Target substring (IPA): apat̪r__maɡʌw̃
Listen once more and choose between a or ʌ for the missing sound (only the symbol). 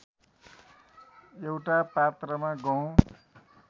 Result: ʌ